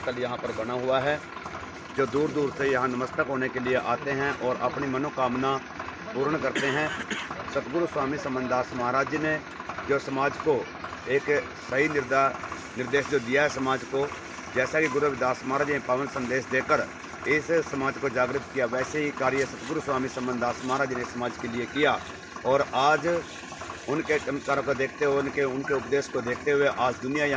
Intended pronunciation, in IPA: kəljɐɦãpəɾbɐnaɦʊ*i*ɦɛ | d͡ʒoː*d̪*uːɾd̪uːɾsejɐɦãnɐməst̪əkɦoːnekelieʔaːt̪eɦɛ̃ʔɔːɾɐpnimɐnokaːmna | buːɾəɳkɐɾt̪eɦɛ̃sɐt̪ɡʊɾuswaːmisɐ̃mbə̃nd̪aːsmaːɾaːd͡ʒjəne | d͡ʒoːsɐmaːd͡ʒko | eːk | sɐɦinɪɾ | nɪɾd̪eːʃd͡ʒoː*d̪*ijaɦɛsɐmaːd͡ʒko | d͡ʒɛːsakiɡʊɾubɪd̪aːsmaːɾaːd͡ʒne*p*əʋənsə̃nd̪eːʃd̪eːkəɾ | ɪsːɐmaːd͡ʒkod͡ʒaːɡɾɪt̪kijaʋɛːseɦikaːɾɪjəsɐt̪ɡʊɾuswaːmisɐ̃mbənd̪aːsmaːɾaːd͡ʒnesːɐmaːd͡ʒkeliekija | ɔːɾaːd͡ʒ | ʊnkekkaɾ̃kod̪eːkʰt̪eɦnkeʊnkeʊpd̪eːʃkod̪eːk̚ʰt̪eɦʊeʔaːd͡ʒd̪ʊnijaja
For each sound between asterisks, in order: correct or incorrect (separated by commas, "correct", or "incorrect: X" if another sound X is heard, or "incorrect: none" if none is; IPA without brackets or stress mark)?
incorrect: a, correct, correct, correct